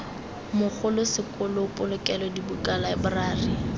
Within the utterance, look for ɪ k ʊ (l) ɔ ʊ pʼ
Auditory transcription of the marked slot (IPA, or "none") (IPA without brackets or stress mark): l